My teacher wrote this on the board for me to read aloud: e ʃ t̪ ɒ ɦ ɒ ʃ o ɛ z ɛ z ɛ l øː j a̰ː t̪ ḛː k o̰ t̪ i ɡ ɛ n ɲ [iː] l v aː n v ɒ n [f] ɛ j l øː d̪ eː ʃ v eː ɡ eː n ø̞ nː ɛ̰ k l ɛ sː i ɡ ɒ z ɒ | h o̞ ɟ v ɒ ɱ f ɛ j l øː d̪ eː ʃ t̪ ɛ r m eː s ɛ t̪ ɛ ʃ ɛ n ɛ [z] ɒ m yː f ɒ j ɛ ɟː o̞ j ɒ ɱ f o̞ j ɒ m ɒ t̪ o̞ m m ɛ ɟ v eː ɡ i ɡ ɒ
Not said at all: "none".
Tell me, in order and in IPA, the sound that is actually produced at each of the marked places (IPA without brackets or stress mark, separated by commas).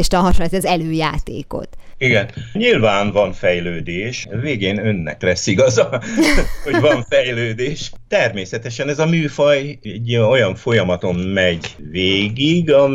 i, f, z